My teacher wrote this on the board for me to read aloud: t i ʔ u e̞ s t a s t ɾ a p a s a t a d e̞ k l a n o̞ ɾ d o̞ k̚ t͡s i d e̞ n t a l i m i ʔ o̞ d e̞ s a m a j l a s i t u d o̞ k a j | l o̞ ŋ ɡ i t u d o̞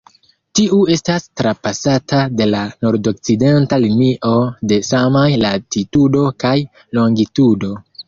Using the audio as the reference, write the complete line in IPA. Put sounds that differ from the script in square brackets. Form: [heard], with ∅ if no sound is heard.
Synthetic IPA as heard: t i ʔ u e̞ s t a s t ɾ a p a s a t a d e̞ [∅] l a n o̞ ɾ d o̞ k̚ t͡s i d e̞ n t a l i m i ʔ o̞ d e̞ s a m a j l a [t] i t u d o̞ k a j | l o̞ ŋ ɡ i t u d o̞